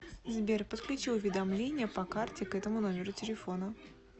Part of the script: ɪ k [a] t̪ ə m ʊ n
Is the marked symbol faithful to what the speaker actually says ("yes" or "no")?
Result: no